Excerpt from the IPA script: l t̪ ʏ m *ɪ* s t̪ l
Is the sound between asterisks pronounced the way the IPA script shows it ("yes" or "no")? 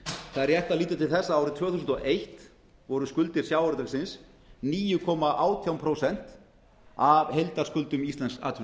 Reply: no